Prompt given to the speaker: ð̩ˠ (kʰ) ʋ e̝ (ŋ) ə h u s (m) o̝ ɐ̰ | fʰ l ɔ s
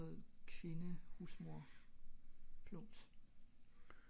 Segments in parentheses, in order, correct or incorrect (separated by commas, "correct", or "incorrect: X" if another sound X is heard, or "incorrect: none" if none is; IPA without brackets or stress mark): correct, incorrect: n, correct